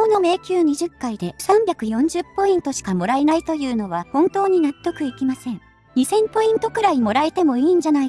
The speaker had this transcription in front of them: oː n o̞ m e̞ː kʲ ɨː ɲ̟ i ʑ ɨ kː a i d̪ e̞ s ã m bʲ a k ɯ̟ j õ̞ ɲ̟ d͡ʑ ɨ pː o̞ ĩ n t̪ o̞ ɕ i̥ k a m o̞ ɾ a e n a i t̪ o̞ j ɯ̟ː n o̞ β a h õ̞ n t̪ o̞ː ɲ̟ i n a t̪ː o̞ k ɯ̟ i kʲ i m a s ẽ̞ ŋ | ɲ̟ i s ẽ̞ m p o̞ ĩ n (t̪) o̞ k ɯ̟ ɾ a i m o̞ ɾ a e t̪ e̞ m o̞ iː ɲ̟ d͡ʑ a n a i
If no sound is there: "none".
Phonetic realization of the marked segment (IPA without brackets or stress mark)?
t̪